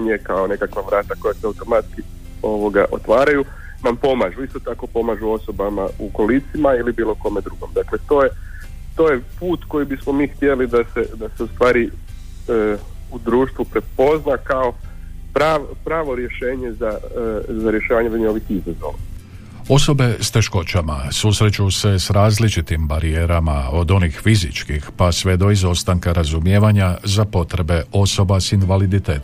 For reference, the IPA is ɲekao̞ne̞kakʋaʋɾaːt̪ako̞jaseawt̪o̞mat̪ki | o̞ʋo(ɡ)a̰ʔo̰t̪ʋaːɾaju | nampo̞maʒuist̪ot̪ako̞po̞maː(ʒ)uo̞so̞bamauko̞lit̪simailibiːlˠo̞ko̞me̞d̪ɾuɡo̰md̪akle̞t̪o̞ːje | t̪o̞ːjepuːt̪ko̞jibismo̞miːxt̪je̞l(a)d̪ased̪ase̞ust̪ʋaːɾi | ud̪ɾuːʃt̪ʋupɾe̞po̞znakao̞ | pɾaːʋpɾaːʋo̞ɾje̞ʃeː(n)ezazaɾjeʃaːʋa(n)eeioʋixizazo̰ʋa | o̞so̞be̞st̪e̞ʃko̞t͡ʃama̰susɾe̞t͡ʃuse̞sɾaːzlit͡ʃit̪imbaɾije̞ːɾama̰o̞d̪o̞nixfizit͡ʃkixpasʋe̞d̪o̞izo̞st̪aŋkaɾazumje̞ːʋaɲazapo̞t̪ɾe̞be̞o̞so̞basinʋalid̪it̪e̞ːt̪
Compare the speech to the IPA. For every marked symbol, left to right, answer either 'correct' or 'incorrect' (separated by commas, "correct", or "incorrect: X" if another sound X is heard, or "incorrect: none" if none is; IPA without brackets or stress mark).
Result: correct, correct, incorrect: i, incorrect: ɲ, incorrect: ɲ